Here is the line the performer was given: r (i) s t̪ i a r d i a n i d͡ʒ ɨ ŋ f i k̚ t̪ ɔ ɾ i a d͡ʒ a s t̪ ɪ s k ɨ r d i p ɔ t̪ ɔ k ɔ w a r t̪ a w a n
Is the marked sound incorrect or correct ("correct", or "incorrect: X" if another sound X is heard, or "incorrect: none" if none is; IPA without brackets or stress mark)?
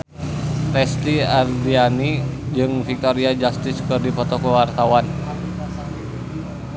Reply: incorrect: ɛ